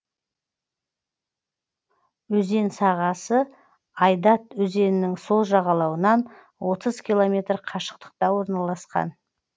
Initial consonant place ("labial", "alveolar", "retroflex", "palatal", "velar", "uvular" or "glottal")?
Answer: alveolar